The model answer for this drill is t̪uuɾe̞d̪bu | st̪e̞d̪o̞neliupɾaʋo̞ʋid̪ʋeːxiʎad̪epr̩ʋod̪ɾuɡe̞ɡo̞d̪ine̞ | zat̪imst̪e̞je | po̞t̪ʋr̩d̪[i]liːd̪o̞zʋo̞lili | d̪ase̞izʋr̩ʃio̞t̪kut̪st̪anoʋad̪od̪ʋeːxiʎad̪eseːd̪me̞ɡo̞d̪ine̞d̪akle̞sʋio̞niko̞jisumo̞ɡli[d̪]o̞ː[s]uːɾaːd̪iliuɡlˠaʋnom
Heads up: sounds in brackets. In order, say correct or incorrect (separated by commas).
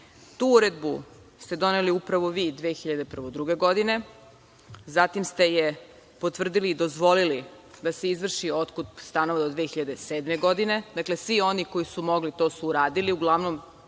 correct, incorrect, correct